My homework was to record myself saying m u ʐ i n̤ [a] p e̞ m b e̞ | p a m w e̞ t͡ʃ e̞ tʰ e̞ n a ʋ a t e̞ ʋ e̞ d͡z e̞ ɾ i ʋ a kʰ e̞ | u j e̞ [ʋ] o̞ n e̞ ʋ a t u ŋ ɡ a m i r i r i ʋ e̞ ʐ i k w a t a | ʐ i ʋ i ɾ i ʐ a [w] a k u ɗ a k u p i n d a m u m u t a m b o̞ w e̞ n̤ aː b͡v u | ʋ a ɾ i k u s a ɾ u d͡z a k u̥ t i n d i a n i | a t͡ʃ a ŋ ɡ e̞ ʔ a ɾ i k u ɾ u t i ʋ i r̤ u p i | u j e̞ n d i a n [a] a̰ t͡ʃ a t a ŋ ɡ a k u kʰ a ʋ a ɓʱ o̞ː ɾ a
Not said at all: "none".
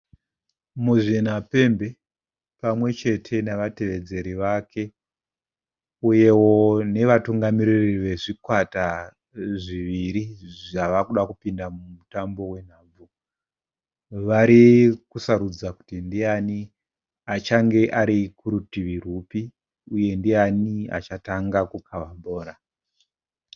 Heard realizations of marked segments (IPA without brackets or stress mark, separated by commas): a, w, ʋ, i